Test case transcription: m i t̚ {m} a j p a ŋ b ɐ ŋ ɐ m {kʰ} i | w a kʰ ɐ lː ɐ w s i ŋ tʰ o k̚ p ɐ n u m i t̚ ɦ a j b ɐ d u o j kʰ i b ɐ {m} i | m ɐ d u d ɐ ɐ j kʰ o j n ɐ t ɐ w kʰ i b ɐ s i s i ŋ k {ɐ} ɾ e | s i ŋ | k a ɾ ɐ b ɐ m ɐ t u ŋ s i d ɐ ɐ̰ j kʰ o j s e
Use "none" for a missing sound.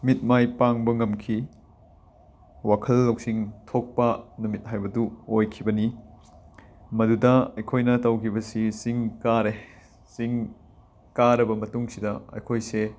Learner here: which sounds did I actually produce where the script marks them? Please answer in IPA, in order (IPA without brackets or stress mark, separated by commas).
m, kʰ, n, a